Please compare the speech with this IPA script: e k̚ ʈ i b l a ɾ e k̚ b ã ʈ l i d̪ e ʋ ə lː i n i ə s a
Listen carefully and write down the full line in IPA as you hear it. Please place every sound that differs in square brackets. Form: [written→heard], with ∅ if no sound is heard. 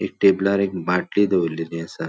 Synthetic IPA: e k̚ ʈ [i→e] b l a ɾ e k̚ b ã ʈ l i d̪ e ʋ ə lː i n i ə s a